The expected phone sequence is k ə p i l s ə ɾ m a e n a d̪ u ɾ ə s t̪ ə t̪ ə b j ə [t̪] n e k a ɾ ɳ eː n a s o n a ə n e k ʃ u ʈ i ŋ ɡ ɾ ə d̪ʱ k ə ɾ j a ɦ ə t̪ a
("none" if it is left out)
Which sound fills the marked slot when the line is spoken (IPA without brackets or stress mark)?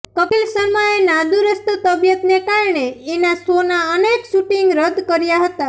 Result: t̪